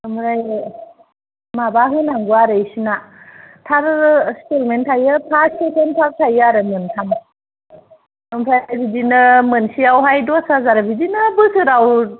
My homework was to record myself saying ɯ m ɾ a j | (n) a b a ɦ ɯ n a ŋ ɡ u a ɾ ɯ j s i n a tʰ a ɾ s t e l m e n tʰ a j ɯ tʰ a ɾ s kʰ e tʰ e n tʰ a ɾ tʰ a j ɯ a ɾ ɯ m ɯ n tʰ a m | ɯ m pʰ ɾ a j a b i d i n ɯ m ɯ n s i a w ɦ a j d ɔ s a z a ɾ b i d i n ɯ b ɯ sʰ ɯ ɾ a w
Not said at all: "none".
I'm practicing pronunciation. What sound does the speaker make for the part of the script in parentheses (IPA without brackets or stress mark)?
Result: m